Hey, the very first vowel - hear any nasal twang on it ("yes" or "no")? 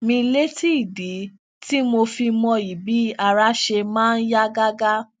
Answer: yes